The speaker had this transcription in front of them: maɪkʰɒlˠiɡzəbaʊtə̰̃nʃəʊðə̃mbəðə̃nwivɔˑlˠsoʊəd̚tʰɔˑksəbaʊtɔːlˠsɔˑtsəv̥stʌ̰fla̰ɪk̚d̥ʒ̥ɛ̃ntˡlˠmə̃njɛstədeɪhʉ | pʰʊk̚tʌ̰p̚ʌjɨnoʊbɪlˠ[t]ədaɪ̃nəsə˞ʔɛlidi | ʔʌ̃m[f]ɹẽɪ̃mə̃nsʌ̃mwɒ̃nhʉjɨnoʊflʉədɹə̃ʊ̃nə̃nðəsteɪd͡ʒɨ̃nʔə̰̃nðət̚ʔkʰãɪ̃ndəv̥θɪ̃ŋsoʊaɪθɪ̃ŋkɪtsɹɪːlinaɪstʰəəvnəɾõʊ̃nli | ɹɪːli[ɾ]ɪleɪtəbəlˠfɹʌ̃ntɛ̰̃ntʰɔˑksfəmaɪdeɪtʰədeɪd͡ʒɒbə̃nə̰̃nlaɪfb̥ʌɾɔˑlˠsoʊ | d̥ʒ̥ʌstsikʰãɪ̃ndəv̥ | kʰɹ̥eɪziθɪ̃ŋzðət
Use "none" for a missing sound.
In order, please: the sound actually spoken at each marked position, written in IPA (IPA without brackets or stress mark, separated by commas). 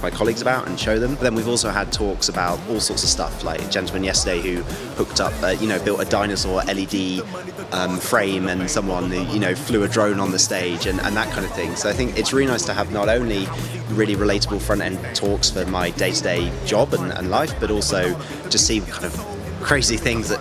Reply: t, f, ɹ